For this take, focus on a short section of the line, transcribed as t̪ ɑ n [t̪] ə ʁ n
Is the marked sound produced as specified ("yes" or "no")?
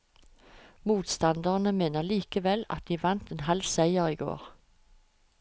no